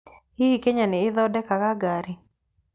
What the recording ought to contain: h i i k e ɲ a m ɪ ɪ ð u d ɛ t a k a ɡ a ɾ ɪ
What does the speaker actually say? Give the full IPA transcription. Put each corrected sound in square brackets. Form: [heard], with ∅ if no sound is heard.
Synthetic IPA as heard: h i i k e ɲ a [n] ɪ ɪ ð [ɔ] d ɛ [k] a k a ɡ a ɾ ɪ

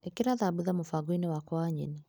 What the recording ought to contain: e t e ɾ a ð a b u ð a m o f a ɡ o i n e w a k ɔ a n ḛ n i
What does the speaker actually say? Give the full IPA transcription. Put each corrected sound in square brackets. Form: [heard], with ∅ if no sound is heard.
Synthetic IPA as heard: e [k] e ɾ a ð a b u ð a m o f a ɡ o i n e w a k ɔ a [ɲ] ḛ n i

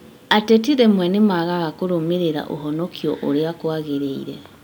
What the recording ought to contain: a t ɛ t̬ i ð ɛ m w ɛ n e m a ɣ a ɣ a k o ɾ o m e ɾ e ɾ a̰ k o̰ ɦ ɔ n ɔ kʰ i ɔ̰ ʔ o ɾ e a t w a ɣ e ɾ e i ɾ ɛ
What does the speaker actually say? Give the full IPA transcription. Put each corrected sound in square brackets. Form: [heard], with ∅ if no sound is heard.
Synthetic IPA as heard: a t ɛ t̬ i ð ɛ m w ɛ n e m a ɣ a ɣ a k o ɾ o m e ɾ e ɾ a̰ [ʔ] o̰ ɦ ɔ n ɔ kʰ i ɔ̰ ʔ o ɾ e a [k] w a ɣ e ɾ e i ɾ ɛ

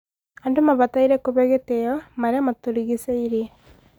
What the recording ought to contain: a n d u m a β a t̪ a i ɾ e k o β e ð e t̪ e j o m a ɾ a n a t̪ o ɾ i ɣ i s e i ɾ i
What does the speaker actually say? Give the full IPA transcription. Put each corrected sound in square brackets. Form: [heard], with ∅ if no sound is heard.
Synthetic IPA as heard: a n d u m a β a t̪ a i ɾ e k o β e [ɣ] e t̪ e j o m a ɾ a [m] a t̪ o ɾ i ɣ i s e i ɾ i

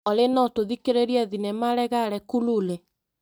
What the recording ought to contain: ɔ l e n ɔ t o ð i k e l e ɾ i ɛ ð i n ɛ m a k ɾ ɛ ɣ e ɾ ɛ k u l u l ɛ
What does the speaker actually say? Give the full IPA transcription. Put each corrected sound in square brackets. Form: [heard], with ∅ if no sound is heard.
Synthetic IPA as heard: ɔ l e n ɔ t o ð i k e [ɾ] e ɾ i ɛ ð i n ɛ m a [∅] ɾ ɛ ɣ [a] ɾ ɛ k u l u l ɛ

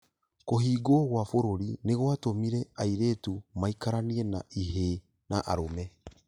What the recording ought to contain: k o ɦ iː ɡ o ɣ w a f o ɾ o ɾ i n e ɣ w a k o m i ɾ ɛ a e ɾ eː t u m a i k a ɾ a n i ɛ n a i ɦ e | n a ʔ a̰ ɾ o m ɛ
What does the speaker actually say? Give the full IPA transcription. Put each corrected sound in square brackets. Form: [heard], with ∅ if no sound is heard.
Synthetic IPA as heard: k o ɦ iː ɡ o ɣ w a f o ɾ o ɾ i n e ɣ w a [t] o m i ɾ ɛ a [i] ɾ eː t u m a i k a ɾ a n i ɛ n a i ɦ e | n a ʔ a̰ ɾ o m ɛ

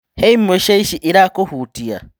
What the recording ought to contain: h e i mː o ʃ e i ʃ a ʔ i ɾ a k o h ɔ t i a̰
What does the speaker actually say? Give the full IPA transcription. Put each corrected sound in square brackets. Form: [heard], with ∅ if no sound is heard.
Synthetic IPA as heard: h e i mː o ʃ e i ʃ [i] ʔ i ɾ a k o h [u] t i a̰

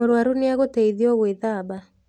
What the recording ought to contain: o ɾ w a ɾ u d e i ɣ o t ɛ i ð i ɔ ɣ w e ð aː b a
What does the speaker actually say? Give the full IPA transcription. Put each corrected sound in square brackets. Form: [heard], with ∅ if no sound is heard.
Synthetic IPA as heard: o ɾ w a ɾ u [n] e [a] ɣ o t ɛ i ð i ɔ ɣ w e ð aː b a

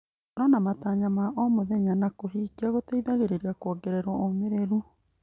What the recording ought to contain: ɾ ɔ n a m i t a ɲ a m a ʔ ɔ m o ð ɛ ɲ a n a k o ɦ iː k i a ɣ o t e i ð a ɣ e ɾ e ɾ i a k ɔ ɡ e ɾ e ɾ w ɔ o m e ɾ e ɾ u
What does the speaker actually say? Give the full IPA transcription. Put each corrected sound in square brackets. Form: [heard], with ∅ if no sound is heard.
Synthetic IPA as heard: ɾ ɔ n a m [a] t a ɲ a m a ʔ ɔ m o ð ɛ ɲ a n a k o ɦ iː k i a ɣ o t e i ð a ɣ e ɾ e ɾ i a k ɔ ɡ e ɾ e ɾ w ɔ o m e ɾ e ɾ u

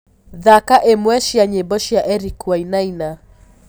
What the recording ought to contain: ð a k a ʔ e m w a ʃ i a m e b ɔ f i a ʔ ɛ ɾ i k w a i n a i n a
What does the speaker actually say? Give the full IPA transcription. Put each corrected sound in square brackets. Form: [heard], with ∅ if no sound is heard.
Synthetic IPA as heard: ð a k a ʔ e m w [ɛ] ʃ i a [ɲ] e b ɔ [ʃ] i a ʔ ɛ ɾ i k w a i n a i n a

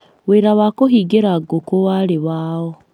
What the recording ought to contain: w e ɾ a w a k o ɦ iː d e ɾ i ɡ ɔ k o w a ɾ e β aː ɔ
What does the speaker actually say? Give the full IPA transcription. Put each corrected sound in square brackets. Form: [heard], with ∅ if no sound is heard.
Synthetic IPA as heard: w e ɾ a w a k o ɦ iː [ɡ] e ɾ [a] ɡ [o] k o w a ɾ e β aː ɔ

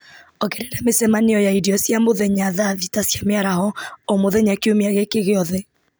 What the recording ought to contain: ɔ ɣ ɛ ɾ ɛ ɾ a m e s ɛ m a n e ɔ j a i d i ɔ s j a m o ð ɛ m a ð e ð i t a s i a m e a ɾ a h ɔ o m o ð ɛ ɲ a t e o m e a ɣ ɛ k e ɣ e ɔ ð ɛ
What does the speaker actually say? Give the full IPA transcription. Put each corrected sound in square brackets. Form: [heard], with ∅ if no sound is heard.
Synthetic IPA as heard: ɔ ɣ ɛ ɾ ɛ ɾ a m e s ɛ m a n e ɔ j a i d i ɔ s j a m o ð ɛ [ɲ] a ð [a] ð i t a s [j] a m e a ɾ a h ɔ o m o ð ɛ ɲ a [k] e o m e a ɣ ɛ k e ɣ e ɔ ð ɛ

